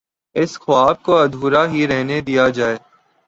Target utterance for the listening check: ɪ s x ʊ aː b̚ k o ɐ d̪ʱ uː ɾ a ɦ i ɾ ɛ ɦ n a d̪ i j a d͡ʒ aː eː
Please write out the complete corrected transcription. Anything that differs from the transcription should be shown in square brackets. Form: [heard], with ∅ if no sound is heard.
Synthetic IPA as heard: ɪ s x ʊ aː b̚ k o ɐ d̪ʱ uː ɾ a ɦ i ɾ ɛ ɦ n [e] d̪ i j a d͡ʒ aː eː